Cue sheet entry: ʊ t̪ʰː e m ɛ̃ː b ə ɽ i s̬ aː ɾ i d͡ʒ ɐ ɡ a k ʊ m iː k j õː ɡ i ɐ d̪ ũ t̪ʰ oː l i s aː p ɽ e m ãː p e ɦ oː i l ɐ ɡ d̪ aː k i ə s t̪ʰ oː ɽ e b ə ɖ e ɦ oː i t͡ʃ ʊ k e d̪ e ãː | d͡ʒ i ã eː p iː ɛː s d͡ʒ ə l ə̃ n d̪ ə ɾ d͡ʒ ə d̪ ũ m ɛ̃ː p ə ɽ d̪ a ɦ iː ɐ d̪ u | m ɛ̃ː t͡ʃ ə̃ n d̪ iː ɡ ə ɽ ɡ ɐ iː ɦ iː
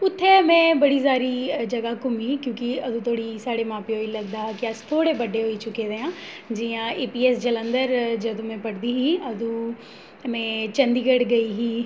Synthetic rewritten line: ʊ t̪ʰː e m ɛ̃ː b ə ɽ i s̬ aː ɾ i d͡ʒ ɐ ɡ a k ʊ m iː k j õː k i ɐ d̪ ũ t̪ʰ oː ɽ i s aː ɽ e m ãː p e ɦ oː i l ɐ ɡ d̪ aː k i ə s t̪ʰ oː ɽ e b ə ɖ e ɦ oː i t͡ʃ ʊ k e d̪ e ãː | d͡ʒ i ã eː p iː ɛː s d͡ʒ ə l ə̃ n d̪ ə ɾ d͡ʒ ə d̪ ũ m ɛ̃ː p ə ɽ d̪ i ɦ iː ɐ d̪ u | m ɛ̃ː t͡ʃ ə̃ n d̪ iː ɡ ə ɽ ɡ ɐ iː ɦ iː